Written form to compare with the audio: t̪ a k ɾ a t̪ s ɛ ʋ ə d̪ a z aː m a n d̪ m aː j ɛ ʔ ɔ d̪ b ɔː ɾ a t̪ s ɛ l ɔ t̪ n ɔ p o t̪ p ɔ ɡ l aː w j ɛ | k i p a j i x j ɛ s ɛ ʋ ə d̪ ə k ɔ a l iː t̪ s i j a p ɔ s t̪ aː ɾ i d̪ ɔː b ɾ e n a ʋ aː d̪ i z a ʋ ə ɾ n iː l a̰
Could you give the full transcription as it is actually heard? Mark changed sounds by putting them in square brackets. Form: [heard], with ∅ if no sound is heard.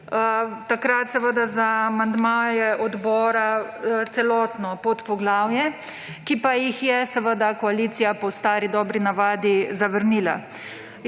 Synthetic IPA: t̪ a k ɾ a t̪ s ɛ ʋ ə d̪ a z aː m a n d̪ m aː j ɛ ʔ ɔ d̪ b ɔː ɾ a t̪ s ɛ l ɔ t̪ n ɔ p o t̪ p ɔ ɡ l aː w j ɛ | k i p a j i x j ɛ s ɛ ʋ ə d̪ [a] k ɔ a l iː t̪ s i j a p ɔ s t̪ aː ɾ i d̪ ɔː b ɾ [i] n a ʋ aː d̪ i z a ʋ ə ɾ n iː l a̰